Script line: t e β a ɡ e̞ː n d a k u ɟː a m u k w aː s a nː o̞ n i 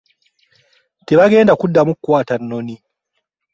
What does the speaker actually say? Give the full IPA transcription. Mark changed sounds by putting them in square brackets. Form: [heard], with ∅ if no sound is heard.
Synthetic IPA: t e β a ɡ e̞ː n d a k u [dː] a m u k w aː [t] a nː o̞ n i